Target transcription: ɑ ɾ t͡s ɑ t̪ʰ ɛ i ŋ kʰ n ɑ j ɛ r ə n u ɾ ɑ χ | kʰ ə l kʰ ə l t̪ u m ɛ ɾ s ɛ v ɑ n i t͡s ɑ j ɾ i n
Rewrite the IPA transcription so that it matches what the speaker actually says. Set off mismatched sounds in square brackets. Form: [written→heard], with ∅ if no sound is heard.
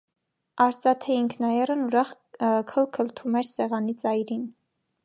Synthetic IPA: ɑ ɾ t͡s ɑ t̪ʰ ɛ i ŋ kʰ n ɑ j ɛ r ə n u ɾ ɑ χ | kʰ ə l kʰ ə l [t̪→t̪ʰ] u m ɛ ɾ s ɛ [v→ʁ] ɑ n i t͡s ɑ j ɾ i n